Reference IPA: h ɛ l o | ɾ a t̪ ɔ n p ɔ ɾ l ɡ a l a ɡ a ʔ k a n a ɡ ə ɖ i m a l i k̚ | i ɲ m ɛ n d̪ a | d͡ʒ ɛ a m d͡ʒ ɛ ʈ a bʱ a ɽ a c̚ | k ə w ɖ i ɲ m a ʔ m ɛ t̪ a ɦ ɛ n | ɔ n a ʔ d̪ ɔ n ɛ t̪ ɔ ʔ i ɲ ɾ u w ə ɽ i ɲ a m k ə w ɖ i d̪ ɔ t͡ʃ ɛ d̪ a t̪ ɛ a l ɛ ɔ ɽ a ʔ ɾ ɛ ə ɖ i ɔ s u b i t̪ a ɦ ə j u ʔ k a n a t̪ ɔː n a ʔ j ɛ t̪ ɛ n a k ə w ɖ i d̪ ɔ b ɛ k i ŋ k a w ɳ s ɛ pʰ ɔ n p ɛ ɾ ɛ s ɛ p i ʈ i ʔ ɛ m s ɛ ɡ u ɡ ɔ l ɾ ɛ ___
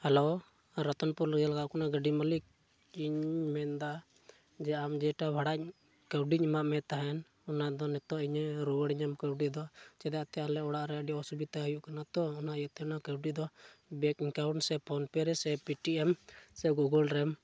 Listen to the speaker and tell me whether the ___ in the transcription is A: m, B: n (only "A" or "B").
A